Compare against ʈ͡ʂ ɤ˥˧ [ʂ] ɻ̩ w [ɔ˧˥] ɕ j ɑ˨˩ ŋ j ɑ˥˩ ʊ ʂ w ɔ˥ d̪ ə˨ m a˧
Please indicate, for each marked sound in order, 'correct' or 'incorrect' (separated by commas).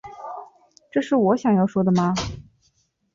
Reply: correct, correct